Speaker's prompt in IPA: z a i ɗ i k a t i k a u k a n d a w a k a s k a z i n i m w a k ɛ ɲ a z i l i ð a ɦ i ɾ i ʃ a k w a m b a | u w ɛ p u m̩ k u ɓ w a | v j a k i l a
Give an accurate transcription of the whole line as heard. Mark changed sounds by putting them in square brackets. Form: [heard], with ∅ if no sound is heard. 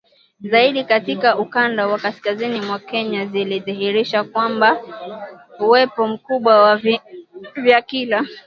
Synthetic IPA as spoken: z a i ɗ i k a t i k a u k a n d a w a k a s k a z i n i m w a k ɛ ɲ a z i l i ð [i] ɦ i ɾ i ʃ a k w a m b a | u w ɛ p [ɔ] m̩ k u ɓ w a | v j a k i l a

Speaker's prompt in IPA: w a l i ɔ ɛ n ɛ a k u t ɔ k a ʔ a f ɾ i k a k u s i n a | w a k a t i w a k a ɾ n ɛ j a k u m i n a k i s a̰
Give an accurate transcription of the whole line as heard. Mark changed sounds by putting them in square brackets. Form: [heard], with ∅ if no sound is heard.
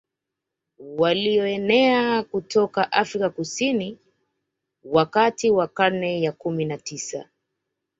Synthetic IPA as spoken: w a l i ɔ ɛ n ɛ a k u t ɔ k a ʔ a f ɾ i k a k u s i n [i] | w a k a t i w a k a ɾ n ɛ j a k u m i n a [t] i s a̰

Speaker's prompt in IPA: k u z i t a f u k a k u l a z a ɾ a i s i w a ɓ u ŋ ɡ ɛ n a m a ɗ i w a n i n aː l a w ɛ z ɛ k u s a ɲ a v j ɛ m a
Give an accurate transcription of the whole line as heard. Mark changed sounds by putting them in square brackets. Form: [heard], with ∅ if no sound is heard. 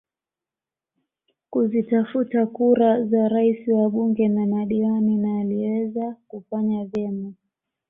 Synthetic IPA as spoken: k u z i t a f u [t] a k u [ɾ] a z a ɾ a i s i w a ɓ u ŋ ɡ ɛ n a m a ɗ i w a n i n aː l [i] w ɛ z [a] k u [f] a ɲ a v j ɛ m a

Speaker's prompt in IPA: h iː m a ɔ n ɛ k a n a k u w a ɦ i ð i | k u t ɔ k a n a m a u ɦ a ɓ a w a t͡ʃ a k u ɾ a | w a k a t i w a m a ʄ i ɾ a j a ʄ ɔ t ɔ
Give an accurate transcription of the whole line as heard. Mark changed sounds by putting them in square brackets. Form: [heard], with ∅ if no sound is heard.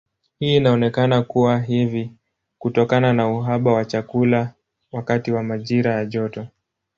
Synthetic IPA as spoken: h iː [n] a ɔ n ɛ k a n a k u w a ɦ i [v] i | k u t ɔ k a n a [n] a u ɦ a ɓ a w a t͡ʃ a k u [l] a | w a k a t i w a m a ʄ i ɾ a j a ʄ ɔ t ɔ

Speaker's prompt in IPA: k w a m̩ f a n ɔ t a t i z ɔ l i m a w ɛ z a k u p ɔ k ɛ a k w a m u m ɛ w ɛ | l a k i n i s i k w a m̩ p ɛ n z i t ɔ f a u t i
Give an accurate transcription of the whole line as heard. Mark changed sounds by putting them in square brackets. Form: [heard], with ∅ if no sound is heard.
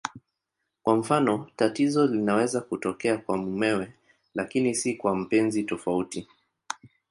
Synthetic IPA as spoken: k w a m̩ f a n ɔ t a t i z ɔ l i [n] a w ɛ z a k u [t] ɔ k ɛ a k w a m u m ɛ w ɛ | l a k i n i s i k w a m̩ p ɛ n z i t ɔ f a u t i

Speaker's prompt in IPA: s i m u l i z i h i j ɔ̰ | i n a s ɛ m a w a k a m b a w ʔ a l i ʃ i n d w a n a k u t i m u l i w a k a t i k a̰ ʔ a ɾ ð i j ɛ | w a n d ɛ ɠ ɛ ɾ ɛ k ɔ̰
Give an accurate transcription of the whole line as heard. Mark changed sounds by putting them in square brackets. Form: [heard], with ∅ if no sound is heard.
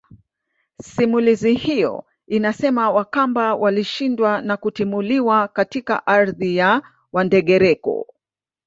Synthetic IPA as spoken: s i m u l i z i h i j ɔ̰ | i n a s ɛ m a w a k a m b a w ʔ a l i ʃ i n d w a n a k u t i m u l i w a k a t i k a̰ ʔ a ɾ ð i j [a] | w a n d ɛ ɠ ɛ ɾ ɛ k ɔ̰

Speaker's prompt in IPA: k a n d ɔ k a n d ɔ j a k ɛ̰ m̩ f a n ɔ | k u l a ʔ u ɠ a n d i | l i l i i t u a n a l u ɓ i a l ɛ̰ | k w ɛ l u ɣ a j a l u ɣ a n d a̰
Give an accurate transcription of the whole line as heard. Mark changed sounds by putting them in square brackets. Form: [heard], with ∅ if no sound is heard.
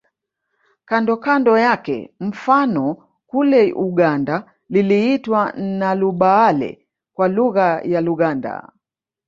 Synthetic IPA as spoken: k a n d ɔ k a n d ɔ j a k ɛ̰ m̩ f a n ɔ | k u l [ɛ] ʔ u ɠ a n d [a] | l i l i i t [w] a n a l u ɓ [a] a l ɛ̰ | k w [a] l u ɣ a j a l u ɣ a n d a̰

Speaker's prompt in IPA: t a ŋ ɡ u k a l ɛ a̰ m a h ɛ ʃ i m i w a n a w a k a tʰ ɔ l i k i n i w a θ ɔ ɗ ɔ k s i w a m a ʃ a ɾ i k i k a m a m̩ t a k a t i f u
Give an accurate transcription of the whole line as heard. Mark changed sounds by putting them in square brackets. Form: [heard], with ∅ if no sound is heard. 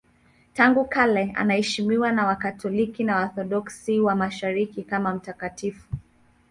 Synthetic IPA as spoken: t a ŋ ɡ u k a l ɛ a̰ [n] a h ɛ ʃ i m i w a n a w a k a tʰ ɔ l i k i n [a] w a θ ɔ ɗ ɔ k s i w a m a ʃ a ɾ i k i k a m a m̩ t a k a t i f u

